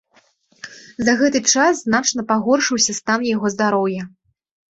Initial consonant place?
alveolar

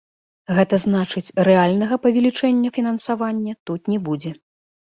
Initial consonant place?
velar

